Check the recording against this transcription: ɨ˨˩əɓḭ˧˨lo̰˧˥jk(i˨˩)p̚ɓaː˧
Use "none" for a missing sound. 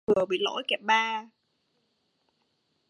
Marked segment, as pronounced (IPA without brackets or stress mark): ɛ˨˩